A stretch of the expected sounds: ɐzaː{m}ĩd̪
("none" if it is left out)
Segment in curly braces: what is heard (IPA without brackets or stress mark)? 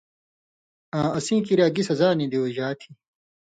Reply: n